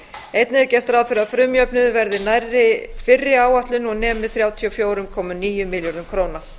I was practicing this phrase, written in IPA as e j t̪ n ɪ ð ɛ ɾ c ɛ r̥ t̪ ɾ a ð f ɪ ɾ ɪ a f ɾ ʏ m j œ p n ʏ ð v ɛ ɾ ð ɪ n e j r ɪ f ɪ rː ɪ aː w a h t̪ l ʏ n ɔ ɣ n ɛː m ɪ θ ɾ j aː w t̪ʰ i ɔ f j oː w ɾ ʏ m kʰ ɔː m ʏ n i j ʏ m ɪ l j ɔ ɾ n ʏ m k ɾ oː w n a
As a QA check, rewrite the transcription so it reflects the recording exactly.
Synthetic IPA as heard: e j t̪ n ɪ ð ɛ ɾ c ɛ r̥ t̪ ɾ a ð f ɪ ɾ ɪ a f ɾ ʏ m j œ p n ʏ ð v ɛ ɾ ð ɪ n a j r ɪ f ɪ rː ɪ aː w a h t̪ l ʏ n ɔ ɣ n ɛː m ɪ θ ɾ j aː w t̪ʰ i ɔ f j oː w ɾ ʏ m kʰ ɔː m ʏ n iː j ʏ m ɪ l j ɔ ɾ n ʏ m kʰ ɾ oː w n a